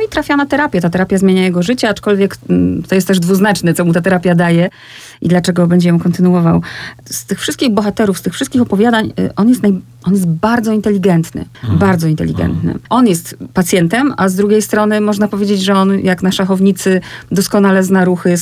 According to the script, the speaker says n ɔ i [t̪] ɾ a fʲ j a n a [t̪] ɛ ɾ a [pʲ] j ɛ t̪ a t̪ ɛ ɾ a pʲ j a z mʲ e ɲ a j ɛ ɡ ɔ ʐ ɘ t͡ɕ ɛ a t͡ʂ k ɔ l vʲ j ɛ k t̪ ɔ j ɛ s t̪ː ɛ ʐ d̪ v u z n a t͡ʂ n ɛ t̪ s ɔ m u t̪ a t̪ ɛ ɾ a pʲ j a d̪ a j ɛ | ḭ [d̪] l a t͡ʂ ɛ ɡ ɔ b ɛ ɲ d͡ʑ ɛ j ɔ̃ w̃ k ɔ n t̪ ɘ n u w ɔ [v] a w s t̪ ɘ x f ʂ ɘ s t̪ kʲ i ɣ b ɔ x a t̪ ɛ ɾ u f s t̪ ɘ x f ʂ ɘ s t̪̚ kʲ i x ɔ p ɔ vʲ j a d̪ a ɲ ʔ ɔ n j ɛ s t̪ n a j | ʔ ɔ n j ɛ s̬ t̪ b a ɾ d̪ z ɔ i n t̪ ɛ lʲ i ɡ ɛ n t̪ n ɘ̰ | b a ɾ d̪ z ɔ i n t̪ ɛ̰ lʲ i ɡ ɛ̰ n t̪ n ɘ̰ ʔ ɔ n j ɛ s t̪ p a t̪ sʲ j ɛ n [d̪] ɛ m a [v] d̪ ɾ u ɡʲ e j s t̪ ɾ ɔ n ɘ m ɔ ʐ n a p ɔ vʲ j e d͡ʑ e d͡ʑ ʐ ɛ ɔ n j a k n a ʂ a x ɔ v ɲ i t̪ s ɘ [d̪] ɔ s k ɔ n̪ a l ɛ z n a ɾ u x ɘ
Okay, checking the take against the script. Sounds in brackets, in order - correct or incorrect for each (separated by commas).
correct, correct, correct, correct, correct, incorrect, incorrect, correct